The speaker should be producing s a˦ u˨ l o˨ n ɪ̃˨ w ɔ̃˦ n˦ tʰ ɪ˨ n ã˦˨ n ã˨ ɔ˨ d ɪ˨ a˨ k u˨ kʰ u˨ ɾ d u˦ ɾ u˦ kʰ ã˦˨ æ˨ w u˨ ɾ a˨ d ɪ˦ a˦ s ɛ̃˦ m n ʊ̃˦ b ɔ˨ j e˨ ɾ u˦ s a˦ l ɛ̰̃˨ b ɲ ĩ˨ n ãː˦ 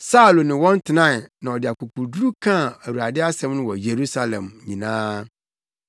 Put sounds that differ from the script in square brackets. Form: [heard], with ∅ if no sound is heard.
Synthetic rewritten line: s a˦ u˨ l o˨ n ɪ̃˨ w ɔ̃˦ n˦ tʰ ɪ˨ n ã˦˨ n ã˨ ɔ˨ d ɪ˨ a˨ k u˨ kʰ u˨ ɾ d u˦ ɾ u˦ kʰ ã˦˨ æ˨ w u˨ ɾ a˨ d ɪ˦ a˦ s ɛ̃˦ m n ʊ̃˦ [w] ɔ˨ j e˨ ɾ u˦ s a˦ l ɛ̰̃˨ [m] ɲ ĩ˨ n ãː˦